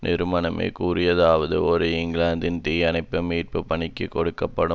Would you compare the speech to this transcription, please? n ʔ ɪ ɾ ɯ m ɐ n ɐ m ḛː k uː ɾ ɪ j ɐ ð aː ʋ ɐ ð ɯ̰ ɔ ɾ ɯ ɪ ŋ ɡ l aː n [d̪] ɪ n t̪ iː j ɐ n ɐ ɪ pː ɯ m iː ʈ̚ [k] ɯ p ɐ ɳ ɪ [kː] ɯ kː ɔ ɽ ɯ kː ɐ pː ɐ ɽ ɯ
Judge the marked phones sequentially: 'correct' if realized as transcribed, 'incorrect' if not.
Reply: correct, incorrect: p, correct

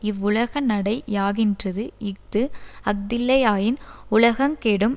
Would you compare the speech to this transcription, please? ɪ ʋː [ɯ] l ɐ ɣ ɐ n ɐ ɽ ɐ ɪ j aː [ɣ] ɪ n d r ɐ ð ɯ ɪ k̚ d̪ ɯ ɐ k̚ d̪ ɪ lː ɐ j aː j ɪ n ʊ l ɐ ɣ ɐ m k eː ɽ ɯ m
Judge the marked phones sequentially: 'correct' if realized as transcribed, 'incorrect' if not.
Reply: incorrect: ʊ, correct

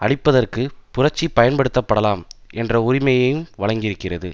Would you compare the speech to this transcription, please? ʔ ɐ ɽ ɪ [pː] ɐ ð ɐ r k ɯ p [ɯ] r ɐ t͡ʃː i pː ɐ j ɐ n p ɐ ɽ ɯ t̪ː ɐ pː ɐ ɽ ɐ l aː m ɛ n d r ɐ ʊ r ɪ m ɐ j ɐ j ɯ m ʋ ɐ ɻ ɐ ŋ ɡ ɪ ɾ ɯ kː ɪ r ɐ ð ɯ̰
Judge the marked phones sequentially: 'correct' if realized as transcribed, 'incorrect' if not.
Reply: correct, incorrect: ʊ

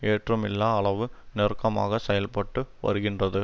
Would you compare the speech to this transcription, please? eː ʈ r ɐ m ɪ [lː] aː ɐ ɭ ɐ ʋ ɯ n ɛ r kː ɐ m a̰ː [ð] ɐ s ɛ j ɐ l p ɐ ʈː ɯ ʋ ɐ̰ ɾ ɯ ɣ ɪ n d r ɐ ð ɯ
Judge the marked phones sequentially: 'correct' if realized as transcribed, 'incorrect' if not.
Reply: correct, incorrect: ɣ

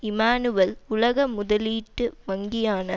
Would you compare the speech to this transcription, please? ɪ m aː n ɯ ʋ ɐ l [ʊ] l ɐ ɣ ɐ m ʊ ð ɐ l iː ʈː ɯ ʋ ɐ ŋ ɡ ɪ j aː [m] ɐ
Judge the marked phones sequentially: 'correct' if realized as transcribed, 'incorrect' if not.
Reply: correct, incorrect: n

